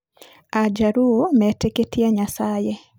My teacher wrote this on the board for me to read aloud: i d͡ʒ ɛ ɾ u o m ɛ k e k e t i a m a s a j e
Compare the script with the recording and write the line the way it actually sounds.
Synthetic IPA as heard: a d͡ʒ a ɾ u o m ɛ t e k e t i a ɲ a s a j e